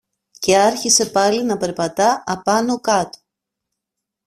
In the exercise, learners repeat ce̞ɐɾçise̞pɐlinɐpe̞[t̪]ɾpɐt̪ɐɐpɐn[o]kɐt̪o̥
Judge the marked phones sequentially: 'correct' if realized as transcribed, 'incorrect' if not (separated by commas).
incorrect, correct